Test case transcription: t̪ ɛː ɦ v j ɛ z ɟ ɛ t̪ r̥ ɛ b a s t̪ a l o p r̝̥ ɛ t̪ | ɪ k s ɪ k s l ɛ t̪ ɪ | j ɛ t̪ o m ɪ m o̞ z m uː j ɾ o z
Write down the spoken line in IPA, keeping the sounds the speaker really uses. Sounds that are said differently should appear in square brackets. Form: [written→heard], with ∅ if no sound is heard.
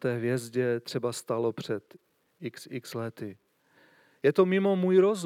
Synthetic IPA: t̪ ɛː ɦ v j ɛ z ɟ ɛ t̪ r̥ ɛ b a s t̪ a l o p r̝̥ ɛ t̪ | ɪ k s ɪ k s l ɛ t̪ ɪ | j ɛ t̪ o m ɪ m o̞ [z→∅] m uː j ɾ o z